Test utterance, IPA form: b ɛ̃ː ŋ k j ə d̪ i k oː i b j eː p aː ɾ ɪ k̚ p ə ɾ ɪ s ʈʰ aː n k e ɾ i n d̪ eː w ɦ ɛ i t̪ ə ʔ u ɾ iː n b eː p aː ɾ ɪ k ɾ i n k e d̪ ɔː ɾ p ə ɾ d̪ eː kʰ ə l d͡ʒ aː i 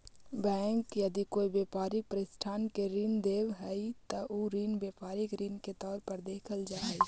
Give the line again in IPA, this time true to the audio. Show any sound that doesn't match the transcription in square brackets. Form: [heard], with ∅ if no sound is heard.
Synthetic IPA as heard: b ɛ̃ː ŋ k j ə d̪ i k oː i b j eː p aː ɾ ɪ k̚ p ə ɾ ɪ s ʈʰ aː n k e ɾ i n d̪ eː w ɦ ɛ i t̪ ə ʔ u ɾ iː n b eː p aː ɾ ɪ k ɾ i n k e [t̪] ɔː ɾ p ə ɾ d̪ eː kʰ ə l d͡ʒ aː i